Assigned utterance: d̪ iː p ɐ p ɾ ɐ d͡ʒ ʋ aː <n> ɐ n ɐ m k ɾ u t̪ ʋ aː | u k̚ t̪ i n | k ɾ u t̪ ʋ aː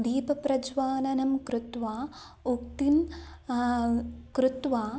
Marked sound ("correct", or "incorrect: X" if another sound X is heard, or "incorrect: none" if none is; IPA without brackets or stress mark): correct